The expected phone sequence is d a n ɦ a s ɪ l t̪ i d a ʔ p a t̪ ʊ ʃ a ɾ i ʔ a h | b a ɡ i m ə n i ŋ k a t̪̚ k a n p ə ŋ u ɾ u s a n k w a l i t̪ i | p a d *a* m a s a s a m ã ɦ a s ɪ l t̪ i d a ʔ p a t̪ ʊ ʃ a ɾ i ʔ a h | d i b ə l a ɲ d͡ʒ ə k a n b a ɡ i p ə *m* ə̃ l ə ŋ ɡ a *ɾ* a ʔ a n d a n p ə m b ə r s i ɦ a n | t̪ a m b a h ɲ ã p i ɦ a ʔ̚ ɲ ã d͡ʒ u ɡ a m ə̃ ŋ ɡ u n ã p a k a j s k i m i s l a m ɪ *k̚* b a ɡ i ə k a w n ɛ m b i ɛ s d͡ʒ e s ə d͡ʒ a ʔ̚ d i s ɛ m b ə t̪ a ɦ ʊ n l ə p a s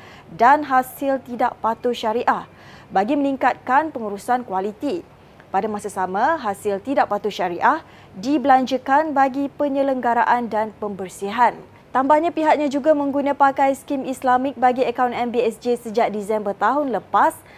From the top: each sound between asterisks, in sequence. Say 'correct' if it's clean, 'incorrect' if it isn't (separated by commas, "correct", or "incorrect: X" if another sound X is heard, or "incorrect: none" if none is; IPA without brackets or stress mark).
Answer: correct, incorrect: ɲ, correct, correct